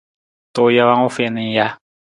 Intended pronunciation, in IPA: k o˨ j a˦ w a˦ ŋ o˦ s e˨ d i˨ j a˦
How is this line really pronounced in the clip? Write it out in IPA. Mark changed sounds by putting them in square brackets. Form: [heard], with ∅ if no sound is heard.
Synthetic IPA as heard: [t] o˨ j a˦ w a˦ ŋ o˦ [f] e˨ [n] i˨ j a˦